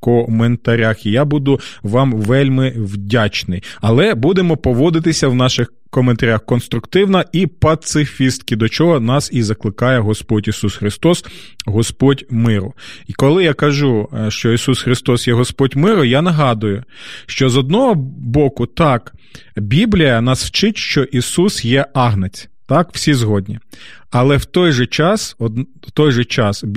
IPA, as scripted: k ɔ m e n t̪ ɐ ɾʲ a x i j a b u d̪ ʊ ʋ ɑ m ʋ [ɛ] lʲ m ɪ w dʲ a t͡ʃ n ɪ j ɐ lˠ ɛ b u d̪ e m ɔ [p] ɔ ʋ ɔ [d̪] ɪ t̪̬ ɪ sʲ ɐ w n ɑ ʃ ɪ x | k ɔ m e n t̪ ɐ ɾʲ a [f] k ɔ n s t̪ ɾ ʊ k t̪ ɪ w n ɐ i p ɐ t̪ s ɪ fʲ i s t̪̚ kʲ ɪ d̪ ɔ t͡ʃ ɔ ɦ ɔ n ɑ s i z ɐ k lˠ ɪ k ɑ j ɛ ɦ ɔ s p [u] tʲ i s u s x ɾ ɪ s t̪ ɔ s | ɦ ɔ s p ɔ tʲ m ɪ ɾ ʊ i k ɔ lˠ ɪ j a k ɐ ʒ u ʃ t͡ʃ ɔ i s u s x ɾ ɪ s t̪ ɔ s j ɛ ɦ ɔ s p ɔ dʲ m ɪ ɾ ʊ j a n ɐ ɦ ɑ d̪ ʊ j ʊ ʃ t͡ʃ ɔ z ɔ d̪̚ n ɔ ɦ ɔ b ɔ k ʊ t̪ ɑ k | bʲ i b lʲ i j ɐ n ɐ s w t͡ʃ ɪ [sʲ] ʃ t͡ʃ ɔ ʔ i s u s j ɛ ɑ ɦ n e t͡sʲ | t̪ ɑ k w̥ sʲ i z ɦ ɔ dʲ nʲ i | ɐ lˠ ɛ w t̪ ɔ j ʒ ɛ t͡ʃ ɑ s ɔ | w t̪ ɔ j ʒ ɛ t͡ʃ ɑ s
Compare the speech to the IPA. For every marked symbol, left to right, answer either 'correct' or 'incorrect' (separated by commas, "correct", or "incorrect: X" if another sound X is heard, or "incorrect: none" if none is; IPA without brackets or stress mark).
correct, correct, correct, incorrect: x, incorrect: ɔ, incorrect: tʲ